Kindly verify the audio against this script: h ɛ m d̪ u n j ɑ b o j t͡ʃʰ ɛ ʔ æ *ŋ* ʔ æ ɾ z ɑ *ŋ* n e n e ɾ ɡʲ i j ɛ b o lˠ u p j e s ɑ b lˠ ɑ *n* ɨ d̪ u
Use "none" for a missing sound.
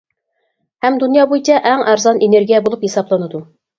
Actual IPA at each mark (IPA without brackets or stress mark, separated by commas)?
ŋ, none, n